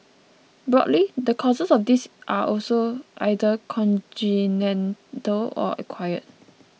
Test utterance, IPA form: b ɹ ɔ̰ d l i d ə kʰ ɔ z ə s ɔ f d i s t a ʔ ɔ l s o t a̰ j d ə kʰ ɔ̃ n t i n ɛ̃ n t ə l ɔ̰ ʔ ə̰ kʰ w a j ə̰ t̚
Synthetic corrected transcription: b ɹ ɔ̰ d l i d ə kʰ ɔ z ə s ɔ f d i s ʔ a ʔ ɔ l s o ʔ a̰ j d ə kʰ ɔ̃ n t i n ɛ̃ n t ə l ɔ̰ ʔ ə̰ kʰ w a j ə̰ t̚